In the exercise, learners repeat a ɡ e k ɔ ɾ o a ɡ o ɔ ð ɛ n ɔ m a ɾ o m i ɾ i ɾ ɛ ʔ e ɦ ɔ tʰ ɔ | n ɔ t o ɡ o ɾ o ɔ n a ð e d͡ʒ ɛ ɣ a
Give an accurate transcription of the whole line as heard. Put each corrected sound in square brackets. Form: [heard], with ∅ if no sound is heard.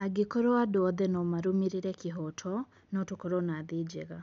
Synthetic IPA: a ɡ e k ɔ ɾ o a [d] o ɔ ð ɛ n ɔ m a ɾ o m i ɾ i ɾ ɛ [k] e ɦ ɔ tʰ ɔ | n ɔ t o [k] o ɾ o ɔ n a ð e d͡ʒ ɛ ɣ a